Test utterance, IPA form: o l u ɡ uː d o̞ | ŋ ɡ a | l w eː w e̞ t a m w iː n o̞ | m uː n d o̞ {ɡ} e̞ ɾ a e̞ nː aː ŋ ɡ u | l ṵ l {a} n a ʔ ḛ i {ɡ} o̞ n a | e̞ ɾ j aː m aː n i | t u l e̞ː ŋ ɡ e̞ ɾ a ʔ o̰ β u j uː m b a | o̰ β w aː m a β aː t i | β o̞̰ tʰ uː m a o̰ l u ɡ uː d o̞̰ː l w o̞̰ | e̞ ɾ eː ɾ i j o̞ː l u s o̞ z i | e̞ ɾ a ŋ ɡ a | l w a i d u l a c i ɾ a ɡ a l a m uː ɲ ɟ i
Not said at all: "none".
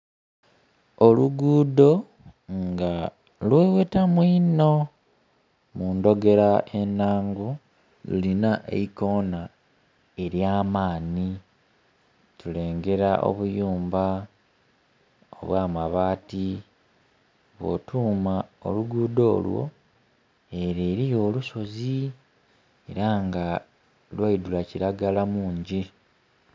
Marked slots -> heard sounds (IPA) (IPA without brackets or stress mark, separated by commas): ɡ, i, k